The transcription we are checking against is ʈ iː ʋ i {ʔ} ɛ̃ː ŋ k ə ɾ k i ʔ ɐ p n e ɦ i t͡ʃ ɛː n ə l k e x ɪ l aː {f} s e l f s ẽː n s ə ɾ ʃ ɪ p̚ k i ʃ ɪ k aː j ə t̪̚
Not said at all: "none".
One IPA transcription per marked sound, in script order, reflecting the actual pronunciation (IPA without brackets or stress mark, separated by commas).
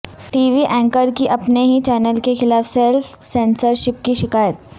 ʔ, f